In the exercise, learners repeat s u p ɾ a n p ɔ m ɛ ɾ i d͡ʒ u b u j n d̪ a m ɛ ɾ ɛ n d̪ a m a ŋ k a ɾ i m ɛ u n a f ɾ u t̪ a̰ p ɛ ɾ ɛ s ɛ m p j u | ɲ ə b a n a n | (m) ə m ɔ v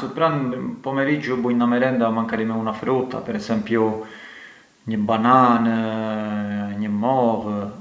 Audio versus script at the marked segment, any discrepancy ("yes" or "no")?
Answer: yes